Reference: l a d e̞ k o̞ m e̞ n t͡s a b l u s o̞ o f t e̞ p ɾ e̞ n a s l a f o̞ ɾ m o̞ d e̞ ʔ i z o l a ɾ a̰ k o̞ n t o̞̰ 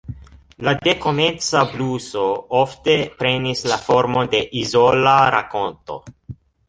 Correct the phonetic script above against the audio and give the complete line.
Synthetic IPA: l a d e̞ k o̞ m e̞ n t͡s a b l u s o̞ o f t e̞ p ɾ e̞ n i s l a f o̞ ɾ m o̞ d e̞ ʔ i z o l a ɾ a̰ k o̞ n t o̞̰